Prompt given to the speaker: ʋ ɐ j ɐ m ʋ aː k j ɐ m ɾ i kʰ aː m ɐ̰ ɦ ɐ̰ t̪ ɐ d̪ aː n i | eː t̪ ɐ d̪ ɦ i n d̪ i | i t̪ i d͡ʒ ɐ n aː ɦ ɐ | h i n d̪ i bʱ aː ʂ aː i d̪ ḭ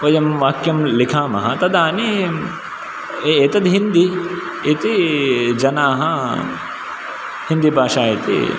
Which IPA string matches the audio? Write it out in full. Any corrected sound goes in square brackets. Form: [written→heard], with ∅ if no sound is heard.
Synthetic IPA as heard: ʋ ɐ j ɐ m ʋ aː k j ɐ m [ɾ→l] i kʰ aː m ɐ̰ ɦ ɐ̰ t̪ ɐ d̪ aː n i | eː t̪ ɐ d̪ ɦ i n d̪ i | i t̪ i d͡ʒ ɐ n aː ɦ ɐ | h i n d̪ i bʱ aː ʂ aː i [d̪→t̪] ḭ